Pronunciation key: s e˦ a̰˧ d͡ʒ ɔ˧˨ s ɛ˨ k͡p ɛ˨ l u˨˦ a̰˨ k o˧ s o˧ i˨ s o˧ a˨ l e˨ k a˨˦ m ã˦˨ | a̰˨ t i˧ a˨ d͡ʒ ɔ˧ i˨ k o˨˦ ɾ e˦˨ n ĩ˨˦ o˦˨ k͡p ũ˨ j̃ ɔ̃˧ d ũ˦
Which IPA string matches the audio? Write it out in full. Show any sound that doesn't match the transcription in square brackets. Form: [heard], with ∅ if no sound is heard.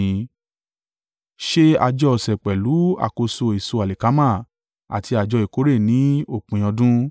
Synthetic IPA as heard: [ʃ] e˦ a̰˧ d͡ʒ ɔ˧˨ s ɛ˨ k͡p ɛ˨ l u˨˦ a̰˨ k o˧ s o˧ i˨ s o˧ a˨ l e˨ k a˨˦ m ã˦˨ | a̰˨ t i˧ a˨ d͡ʒ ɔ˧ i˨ k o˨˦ ɾ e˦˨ n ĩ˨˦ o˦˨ k͡p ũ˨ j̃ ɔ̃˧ d ũ˦